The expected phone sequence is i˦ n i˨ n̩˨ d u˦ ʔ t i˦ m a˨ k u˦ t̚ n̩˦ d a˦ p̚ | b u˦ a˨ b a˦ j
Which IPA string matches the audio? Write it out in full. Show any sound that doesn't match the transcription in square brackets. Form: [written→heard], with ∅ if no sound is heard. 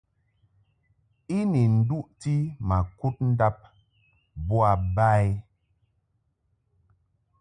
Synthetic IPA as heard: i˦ n i˨ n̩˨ d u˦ ʔ t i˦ m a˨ k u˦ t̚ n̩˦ d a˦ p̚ | b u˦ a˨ b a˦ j